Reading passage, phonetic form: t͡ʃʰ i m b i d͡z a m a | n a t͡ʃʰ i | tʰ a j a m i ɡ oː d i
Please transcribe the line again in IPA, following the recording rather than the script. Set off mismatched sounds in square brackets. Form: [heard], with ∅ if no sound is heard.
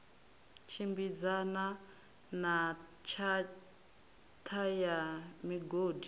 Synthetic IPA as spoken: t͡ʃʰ i m b i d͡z a [n] a | n a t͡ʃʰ [a] | tʰ a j a m i ɡ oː d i